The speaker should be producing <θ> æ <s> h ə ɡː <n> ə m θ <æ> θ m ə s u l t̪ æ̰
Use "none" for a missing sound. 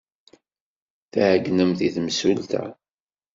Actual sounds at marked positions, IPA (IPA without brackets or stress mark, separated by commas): θ, none, n, i